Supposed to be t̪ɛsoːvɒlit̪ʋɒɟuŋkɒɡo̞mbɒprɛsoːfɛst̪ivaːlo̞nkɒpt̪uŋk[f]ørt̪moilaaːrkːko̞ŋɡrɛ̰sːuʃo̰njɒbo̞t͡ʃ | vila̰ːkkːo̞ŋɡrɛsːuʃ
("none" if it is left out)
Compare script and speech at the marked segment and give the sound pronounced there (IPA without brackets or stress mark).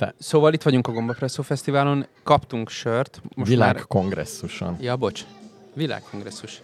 ʃ